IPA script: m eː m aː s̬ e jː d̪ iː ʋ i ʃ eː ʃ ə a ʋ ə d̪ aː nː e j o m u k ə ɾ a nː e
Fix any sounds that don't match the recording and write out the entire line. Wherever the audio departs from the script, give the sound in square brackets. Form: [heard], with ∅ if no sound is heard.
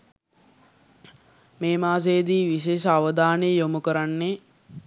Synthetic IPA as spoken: m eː m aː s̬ e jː d̪ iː ʋ i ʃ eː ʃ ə a ʋ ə d̪ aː [n] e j o m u k ə ɾ a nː e